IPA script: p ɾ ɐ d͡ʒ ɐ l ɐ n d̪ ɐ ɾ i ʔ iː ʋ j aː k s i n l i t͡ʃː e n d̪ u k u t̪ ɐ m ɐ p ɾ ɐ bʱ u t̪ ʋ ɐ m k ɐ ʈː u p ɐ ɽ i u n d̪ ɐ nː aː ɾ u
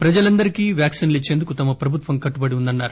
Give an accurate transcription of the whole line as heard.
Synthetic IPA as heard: p ɾ ɐ d͡ʒ ɐ l ɐ n d̪ ɐ ɾ i k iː ʋ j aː k s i n l i t͡ʃː e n d̪ u k u t̪ ɐ m ɐ p ɾ ɐ bʱ u t̪ ʋ ɐ m k ɐ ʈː u b ɐ ɽ i u n d̪ ɐ nː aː ɾ u

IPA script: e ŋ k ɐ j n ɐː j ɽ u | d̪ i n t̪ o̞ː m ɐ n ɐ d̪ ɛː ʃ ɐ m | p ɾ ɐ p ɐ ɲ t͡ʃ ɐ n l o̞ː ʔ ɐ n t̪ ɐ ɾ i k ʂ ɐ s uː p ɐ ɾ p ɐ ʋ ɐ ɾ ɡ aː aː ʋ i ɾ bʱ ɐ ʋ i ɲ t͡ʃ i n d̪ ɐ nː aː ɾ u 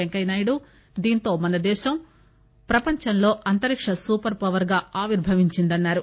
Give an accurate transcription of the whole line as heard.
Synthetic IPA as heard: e ŋ k ɐ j n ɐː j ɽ u | d̪ iː n t̪ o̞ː m ɐ n ɐ d̪ ɛː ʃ ɐ m | p ɾ ɐ p ɐ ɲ t͡ʃ ɐ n l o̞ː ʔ ɐ n t̪ ɐ ɾ i k ʂ ɐ s uː p ɐ ɾ p ɐ ʋ ɐ ɾ ɡ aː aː ʋ i ɾ bʱ ɐ ʋ i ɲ t͡ʃ i n d̪ ɐ nː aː ɾ u

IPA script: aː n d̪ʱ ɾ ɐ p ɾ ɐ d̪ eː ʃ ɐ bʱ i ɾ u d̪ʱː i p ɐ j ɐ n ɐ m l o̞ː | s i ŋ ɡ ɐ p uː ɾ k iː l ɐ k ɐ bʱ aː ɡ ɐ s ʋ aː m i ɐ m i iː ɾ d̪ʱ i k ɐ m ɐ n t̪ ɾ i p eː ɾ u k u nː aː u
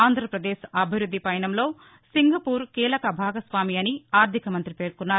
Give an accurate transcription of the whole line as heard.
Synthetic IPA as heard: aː n d̪ʱ ɾ ɐ p ɾ ɐ d̪ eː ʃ ɐ bʱ i ɾ u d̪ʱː i p ɐ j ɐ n ɐ m l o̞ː | s i ŋ ɡ ɐ p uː ɾ k iː l ɐ k ɐ bʱ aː ɡ ɐ s ʋ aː m i ɐ n i aː ɾ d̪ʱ i k ɐ m ɐ n t̪ ɾ i p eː ɾ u k u nː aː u

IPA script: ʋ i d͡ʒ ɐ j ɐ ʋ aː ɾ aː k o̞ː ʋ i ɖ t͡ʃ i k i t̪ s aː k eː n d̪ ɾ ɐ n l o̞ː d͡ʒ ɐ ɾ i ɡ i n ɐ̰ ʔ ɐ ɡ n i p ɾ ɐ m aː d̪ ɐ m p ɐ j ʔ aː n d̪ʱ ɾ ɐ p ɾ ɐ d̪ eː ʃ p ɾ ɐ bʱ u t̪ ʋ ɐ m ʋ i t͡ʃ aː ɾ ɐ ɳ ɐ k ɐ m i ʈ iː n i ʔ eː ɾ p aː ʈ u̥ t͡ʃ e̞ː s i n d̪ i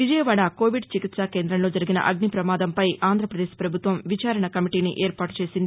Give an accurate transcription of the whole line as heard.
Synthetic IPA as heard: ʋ i d͡ʒ ɐ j ɐ ʋ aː ɽ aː k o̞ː ʋ i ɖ t͡ʃ i k i t̪ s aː k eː n d̪ ɾ ɐ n l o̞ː d͡ʒ ɐ ɾ i ɡ i n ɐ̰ ʔ ɐ ɡ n i p ɾ ɐ m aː d̪ ɐ m p ɐ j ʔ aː n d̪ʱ ɾ ɐ p ɾ ɐ d̪ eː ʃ p ɾ ɐ bʱ u t̪ ʋ ɐ m ʋ i t͡ʃ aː ɾ ɐ ɳ ɐ k ɐ m i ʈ iː n i ʔ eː ɾ p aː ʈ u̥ t͡ʃ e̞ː s i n d̪ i

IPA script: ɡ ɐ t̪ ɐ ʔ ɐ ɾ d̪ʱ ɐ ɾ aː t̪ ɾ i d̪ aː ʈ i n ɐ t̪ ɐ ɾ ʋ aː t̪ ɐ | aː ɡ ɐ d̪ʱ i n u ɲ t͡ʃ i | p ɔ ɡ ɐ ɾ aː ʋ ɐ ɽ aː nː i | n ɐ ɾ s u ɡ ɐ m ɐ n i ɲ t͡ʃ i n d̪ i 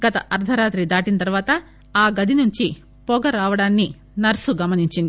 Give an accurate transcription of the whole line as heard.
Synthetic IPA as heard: ɡ ɐ t̪ ɐ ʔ ɐ ɾ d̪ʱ ɐ ɾ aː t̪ ɾ i d̪ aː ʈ i n ɐ t̪ ɐ ɾ ʋ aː t̪ ɐ | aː ɡ ɐ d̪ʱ i n u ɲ t͡ʃ i | p ɔ ɡ ɐ ɾ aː ʋ ɐ ɽ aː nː i | n ɐ ɾ s u ɡ ɐ m ɐ n i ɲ t͡ʃ i n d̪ i

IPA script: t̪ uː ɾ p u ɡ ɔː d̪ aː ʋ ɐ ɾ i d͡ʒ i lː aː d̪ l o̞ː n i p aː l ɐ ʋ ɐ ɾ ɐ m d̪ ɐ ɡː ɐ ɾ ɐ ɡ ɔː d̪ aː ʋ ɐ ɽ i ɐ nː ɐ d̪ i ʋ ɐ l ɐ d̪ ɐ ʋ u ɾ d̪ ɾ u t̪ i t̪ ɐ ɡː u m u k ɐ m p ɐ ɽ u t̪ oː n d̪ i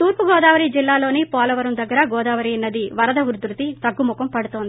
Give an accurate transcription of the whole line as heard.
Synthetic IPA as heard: t̪ uː ɾ p u ɡ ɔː d̪ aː ʋ ɐ ɾ i d͡ʒ i lː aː l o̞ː n i p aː l ɐ ʋ ɐ ɾ ɐ m d̪ ɐ ɡː ɐ ɾ ɐ ɡ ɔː d̪ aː ʋ ɐ ɾ i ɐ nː ɐ d̪ i ʋ ɐ ɾ ɐ d̪ ɐ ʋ u ɾ d̪ ɾ u t̪ i t̪ ɐ ɡː u m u k ɐ m p ɐ ɽ u t̪ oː n d̪ i

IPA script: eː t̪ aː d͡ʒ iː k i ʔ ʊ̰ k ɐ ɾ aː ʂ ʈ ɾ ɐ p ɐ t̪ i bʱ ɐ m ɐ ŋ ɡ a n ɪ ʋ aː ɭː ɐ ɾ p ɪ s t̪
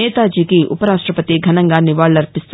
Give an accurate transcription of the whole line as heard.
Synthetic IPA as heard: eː t̪ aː d͡ʒ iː k i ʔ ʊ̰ p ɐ ɾ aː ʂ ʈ ɾ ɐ p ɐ t̪ i ɡʱ ɐ n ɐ ŋ ɡ a n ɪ ʋ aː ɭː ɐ ɾ p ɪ s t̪

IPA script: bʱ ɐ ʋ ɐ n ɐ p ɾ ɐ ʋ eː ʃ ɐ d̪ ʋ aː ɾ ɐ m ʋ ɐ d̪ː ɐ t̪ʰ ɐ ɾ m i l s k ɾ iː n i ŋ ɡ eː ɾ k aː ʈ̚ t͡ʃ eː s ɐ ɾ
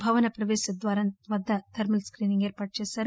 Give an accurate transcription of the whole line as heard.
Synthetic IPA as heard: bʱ ɐ ʋ ɐ n ɐ p ɾ ɐ ʋ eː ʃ ɐ d̪ ʋ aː ɾ ɐ n ʋ ɐ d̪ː ɐ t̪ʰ ɐ ɾ m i l s k ɾ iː n i ŋ ɡ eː ɾ p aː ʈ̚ t͡ʃ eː s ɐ ɾ

